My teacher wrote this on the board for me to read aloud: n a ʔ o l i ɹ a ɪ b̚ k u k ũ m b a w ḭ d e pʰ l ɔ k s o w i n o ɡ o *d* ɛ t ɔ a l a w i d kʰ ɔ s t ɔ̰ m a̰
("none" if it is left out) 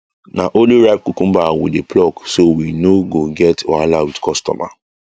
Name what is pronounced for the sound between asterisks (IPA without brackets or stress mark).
ɡ